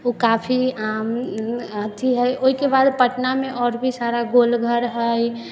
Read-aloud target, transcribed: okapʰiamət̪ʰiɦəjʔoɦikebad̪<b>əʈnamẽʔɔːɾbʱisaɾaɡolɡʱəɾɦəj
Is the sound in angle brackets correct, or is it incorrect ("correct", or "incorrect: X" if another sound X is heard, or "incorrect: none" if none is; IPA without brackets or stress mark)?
incorrect: p